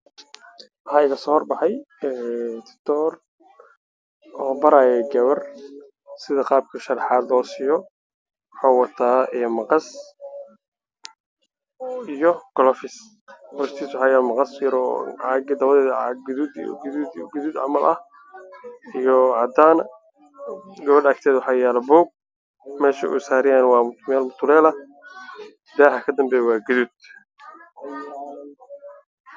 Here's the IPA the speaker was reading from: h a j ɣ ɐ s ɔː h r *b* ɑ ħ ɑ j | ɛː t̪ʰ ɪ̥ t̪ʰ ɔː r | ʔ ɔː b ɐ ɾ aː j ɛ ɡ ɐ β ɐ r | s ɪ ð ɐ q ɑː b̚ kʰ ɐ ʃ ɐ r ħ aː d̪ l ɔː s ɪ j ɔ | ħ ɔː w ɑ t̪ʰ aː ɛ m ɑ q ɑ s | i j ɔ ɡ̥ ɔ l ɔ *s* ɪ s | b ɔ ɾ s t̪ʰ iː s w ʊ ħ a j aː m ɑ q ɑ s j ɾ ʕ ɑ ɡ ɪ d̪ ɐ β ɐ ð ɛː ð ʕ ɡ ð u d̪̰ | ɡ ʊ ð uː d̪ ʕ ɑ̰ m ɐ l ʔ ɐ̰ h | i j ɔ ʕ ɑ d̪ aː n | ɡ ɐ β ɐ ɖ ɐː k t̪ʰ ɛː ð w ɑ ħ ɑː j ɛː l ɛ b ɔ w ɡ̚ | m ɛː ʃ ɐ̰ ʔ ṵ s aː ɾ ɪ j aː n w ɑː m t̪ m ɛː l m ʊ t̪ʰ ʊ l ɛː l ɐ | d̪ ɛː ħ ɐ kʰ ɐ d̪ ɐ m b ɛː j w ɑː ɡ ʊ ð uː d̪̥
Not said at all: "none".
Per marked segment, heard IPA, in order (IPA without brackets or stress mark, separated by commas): b, f